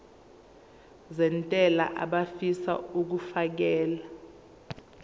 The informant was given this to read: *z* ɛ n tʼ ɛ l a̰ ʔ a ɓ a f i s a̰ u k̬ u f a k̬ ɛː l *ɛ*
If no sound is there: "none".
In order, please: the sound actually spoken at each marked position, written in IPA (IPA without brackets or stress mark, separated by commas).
z, a